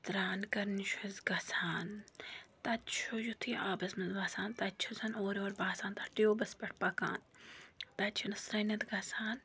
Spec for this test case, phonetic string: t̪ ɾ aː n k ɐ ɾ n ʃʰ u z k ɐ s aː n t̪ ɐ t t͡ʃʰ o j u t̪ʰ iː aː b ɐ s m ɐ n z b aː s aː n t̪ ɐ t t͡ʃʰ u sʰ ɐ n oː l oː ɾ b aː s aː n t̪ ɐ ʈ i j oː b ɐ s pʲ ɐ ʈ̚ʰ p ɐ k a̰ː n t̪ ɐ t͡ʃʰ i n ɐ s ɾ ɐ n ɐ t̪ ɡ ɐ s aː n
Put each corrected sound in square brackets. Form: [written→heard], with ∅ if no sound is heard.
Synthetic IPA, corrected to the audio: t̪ ɾ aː n k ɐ ɾ n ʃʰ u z [k→ɡ] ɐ s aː n t̪ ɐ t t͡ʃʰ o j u t̪ʰ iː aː b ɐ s m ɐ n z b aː s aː n t̪ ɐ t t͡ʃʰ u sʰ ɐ n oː [l→ɾ] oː ɾ b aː s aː n t̪ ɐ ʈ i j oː b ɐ s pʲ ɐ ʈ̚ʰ p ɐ k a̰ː n t̪ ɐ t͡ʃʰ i n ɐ s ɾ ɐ n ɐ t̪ ɡ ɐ s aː n